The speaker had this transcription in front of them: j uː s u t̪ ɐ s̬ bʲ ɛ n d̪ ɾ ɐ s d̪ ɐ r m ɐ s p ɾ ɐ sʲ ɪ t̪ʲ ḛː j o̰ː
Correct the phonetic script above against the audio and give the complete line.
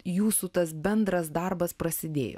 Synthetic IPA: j uː s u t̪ ɐ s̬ bʲ ɛ n d̪ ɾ ɐ s d̪ ɐ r b ɐ s p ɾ ɐ sʲ ɪ d̪ʲ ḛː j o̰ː